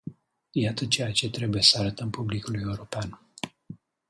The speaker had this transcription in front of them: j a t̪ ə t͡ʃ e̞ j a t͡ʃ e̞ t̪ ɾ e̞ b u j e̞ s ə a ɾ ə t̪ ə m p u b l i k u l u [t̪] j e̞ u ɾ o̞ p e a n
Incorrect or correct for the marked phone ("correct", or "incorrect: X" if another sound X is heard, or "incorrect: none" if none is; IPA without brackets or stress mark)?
incorrect: none